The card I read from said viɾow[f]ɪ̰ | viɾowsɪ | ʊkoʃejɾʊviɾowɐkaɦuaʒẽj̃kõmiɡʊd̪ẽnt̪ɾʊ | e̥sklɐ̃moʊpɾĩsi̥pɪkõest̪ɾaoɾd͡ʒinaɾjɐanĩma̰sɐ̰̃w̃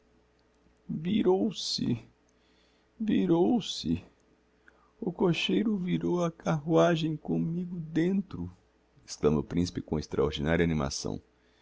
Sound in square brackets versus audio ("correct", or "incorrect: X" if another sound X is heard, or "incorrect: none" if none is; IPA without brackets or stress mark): incorrect: s